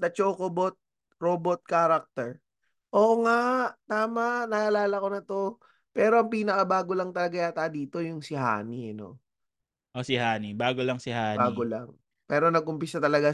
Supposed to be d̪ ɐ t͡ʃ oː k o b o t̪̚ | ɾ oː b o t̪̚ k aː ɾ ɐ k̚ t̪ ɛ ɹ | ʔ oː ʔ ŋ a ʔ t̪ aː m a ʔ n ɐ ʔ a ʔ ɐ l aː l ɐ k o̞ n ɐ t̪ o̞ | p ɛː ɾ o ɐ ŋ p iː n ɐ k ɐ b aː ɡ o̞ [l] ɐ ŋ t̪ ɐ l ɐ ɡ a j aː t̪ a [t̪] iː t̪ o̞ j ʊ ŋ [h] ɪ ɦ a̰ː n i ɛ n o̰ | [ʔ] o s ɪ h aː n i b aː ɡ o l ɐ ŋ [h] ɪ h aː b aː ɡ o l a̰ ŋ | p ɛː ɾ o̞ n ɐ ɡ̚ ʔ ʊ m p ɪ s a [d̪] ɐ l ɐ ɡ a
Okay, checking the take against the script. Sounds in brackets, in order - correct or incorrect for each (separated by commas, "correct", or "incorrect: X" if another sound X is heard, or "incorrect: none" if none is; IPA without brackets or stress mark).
correct, incorrect: d̪, incorrect: s, correct, incorrect: s, incorrect: t̪